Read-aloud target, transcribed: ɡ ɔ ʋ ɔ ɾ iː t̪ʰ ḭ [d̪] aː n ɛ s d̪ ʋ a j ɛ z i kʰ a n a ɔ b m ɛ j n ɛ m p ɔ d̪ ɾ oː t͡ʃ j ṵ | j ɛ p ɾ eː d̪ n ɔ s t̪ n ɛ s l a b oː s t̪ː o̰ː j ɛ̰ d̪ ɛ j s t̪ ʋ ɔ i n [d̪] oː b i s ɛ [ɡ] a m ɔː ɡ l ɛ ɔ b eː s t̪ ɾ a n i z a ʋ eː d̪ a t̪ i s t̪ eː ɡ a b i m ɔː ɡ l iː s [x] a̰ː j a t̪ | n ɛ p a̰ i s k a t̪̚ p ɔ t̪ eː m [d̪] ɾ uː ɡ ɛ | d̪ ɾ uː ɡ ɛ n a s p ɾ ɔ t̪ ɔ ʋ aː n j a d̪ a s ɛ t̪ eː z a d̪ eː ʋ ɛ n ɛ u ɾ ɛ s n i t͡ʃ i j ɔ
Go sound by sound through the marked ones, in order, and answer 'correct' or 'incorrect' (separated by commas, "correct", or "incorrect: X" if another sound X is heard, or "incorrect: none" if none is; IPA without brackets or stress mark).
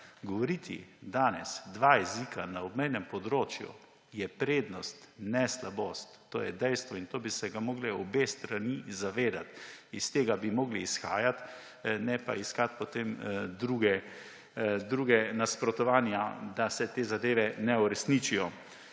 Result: correct, incorrect: t̪, correct, correct, correct